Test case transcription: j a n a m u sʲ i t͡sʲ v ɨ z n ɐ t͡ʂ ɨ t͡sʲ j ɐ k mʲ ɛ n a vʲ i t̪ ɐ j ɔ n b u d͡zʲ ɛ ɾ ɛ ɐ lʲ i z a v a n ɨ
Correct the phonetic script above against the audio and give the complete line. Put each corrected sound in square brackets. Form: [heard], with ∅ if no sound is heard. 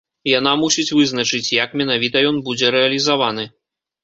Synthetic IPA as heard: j a n a m u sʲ i t͡sʲ v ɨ z n ɐ t͡ʂ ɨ t͡sʲ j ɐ k mʲ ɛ n a vʲ i t̪ ɐ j ɔ n b u d͡zʲ ɛ ɾ ɛ ɐ lʲ i z a v a n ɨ